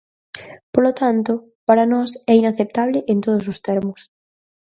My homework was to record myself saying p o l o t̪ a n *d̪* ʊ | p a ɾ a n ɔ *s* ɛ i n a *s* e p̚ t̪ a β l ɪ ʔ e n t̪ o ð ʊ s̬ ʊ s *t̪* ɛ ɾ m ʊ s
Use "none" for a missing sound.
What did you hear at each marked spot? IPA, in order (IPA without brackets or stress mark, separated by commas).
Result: t̪, s, θ, t̪